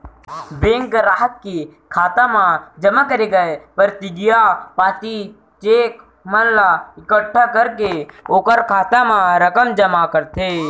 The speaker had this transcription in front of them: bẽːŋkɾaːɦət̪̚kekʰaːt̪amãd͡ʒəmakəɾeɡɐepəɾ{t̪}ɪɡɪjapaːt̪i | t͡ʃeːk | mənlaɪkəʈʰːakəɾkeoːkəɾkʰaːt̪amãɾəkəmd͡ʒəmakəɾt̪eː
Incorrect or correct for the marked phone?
correct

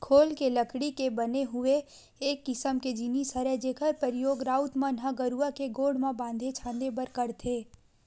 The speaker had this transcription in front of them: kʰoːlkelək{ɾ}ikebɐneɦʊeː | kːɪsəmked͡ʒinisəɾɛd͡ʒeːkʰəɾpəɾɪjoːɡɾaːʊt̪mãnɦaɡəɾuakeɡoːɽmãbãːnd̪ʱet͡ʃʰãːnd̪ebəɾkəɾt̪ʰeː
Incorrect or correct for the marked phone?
incorrect: ɽ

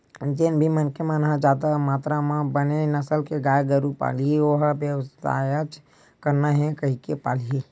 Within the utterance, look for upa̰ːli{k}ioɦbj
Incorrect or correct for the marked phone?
incorrect: none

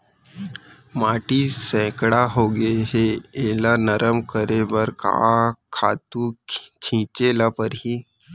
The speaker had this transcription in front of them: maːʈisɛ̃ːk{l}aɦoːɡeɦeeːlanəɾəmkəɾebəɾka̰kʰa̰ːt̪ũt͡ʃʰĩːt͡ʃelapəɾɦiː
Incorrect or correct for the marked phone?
incorrect: ɽ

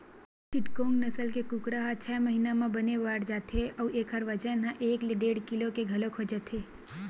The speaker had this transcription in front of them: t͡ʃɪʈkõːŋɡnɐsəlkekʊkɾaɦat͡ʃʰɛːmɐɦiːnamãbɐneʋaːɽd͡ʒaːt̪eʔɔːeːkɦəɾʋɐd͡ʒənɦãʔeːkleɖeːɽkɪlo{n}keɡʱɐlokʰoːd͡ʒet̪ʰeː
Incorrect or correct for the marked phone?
incorrect: none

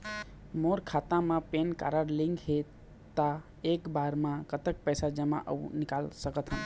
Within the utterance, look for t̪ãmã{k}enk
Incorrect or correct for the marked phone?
incorrect: p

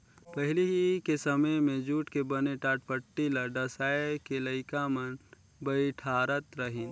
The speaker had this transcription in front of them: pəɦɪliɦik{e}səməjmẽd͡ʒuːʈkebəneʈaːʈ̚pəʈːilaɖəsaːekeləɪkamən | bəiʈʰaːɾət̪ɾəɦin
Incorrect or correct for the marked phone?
correct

